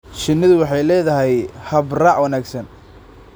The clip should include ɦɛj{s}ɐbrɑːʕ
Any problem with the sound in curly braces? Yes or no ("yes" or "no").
yes